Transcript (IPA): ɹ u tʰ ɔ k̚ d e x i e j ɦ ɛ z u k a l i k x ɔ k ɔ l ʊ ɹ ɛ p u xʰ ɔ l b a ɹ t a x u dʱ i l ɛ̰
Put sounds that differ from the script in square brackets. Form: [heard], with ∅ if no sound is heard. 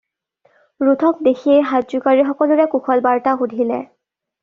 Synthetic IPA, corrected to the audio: ɹ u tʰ ɔ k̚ d e x i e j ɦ [a] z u k a [ɹ] i [∅] x ɔ k ɔ l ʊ ɹ ɛ [k] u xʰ ɔ l b a ɹ t a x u dʱ i l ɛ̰